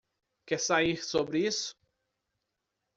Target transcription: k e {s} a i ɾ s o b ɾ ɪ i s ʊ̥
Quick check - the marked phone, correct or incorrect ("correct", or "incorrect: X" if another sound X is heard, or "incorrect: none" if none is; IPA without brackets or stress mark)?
correct